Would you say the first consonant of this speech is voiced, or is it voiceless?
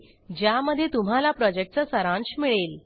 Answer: voiced